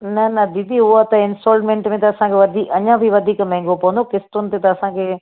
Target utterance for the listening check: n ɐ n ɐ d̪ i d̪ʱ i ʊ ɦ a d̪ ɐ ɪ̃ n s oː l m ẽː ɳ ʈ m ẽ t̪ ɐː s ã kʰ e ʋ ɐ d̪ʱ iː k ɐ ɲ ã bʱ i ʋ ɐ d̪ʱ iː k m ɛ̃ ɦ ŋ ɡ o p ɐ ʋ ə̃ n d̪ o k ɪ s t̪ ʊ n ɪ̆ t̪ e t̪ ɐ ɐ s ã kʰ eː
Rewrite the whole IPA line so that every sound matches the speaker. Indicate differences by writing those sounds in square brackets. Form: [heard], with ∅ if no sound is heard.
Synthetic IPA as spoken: n ɐ n ɐ d̪ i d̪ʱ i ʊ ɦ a [t̪] ɐ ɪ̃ n s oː l m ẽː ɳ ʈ m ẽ t̪ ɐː s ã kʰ e ʋ ɐ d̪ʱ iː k ɐ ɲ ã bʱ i ʋ ɐ d̪ʱ iː k m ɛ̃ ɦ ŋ ɡ o p ɐ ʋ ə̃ n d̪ o k ɪ s t̪ ʊ n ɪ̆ t̪ e t̪ ɐ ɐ s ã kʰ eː